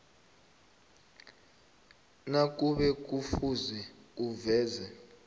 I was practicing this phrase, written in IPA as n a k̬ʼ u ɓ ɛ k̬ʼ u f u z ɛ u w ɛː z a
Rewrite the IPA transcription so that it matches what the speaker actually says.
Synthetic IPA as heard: n a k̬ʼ u ɓ ɛ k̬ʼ u f u z ɛ u v ɛː z ɛ